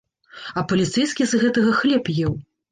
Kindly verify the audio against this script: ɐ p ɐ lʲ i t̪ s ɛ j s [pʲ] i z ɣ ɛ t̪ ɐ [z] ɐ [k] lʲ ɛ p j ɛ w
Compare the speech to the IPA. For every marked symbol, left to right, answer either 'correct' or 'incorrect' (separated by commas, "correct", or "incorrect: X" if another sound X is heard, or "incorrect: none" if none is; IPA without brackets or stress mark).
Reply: incorrect: kʲ, incorrect: ɣ, incorrect: x